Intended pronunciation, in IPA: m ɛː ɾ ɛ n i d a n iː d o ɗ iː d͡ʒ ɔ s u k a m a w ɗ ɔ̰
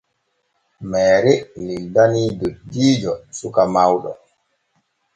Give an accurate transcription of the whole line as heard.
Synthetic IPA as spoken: m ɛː ɾ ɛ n i d a n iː d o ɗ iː d͡ʒ ɔ s u k a m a w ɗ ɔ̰